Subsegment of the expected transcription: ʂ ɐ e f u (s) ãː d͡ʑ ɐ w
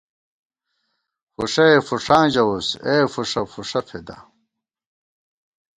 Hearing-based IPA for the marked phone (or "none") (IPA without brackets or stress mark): ʂ